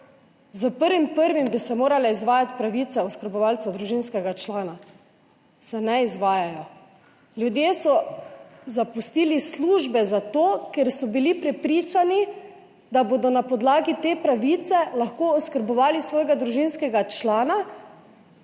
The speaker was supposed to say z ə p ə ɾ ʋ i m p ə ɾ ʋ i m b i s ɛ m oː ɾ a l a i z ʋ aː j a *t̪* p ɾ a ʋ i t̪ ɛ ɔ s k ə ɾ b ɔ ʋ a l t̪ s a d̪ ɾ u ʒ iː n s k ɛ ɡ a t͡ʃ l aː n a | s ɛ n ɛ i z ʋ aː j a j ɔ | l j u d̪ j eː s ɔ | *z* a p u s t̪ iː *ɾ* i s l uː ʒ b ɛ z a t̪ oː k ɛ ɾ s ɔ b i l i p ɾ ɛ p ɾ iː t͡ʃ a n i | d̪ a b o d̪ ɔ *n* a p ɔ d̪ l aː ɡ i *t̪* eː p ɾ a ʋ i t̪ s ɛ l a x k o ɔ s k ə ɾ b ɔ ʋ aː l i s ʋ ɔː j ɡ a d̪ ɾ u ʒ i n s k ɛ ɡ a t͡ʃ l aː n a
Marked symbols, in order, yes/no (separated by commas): yes, yes, no, yes, yes